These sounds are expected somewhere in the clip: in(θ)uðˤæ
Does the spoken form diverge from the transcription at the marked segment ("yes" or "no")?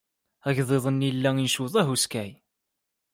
yes